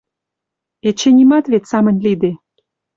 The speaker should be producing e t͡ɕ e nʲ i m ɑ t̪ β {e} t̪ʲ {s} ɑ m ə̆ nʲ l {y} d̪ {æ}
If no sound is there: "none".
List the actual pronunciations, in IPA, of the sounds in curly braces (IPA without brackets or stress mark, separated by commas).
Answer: e, s, i, e